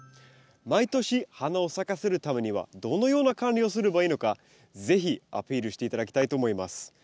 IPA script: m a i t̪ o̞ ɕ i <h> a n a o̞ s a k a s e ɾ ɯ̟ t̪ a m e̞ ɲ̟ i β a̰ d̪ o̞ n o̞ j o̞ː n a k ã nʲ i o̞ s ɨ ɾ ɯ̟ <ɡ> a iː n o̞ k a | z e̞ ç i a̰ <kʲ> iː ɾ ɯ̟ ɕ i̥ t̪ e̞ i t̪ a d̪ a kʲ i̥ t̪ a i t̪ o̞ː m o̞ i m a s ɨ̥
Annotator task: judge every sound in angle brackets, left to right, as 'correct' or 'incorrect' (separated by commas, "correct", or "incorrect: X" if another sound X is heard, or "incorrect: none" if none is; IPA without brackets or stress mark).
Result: correct, incorrect: b, incorrect: pʲ